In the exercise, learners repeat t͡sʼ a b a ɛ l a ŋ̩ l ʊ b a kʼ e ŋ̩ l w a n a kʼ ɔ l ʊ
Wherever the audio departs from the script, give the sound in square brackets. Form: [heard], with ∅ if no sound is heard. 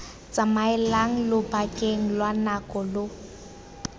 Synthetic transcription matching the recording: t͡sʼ a [m] a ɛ l a ŋ̩ l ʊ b a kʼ e ŋ̩ l w a n a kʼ ɔ l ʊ